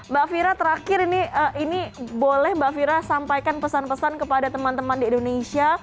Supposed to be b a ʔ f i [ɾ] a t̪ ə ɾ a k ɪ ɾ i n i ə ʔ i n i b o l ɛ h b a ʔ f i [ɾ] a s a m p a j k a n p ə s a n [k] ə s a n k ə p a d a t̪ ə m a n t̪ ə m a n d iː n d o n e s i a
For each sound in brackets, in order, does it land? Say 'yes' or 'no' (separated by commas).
yes, yes, no